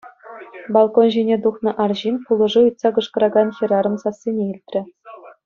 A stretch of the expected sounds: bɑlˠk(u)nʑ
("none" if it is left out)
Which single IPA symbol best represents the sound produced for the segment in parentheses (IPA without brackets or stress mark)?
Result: o